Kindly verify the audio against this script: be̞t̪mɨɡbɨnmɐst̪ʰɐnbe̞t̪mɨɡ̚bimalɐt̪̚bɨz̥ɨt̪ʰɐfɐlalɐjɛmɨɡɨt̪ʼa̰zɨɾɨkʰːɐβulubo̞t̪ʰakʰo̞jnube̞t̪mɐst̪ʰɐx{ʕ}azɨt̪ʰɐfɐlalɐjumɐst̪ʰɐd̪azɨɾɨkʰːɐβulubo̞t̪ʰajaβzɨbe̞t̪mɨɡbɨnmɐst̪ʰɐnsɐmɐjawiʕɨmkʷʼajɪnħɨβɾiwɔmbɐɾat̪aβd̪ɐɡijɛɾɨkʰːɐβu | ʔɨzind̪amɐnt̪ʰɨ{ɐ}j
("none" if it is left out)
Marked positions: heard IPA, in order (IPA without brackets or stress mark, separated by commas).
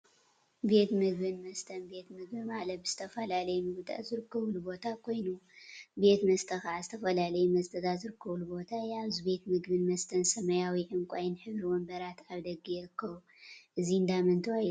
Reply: ʕ, a